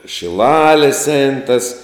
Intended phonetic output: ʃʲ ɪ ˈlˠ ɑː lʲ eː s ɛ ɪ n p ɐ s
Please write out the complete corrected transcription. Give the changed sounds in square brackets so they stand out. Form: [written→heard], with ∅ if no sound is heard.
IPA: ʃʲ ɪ ˈlˠ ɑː lʲ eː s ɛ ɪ n [p→t] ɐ s